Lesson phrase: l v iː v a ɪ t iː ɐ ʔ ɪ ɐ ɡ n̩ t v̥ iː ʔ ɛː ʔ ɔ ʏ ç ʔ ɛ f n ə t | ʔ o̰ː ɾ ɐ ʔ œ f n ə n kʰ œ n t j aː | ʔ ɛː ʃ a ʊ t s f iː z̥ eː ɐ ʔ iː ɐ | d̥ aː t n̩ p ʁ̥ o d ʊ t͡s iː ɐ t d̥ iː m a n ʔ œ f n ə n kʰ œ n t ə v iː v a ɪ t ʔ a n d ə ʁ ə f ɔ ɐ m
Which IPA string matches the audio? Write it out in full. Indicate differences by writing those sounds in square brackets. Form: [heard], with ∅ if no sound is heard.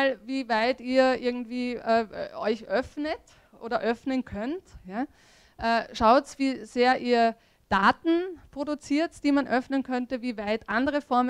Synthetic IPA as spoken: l v iː v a ɪ t iː ɐ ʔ ɪ ɐ ɡ [ŋ̩] t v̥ iː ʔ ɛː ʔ ɔ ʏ ç ʔ [œ] f n ə t | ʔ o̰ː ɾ ɐ ʔ œ f n ə n kʰ œ n t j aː | ʔ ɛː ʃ a ʊ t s [v] iː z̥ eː ɐ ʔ iː ɐ | d̥ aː t n̩ p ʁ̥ o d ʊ t͡s iː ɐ t d̥ iː m a n ʔ œ f n ə n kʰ œ n t ə v iː v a ɪ t ʔ a n d ə ʁ ə f ɔ ɐ m